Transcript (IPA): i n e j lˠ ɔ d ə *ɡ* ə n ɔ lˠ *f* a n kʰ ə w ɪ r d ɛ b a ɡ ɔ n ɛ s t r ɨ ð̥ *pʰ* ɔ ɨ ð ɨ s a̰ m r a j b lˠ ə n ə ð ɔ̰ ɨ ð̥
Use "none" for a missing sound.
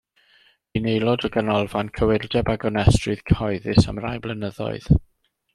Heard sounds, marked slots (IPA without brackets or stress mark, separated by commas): ɡ, v, kʰ